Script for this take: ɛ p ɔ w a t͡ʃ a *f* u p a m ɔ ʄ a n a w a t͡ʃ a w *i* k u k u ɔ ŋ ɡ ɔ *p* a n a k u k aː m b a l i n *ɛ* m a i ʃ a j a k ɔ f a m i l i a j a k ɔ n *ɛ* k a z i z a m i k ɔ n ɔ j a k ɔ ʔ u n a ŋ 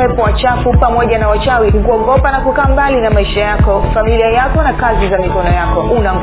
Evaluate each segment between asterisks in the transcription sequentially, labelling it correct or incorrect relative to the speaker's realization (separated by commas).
correct, correct, correct, incorrect, incorrect